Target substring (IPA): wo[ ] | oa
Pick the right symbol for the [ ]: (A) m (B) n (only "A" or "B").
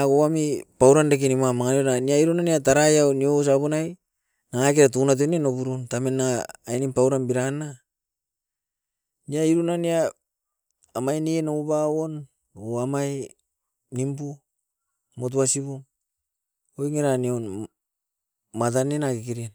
B